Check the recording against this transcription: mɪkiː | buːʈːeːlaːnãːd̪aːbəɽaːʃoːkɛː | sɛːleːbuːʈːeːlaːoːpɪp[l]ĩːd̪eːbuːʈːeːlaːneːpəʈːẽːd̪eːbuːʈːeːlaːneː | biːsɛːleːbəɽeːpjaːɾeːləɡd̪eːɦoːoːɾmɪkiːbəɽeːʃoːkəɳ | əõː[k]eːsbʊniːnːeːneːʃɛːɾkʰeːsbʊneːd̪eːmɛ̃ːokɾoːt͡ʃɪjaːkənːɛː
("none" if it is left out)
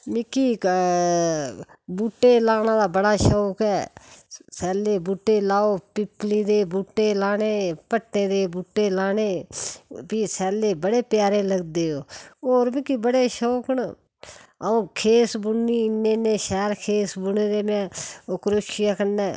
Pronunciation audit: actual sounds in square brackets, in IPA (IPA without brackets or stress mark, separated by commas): l, kʰ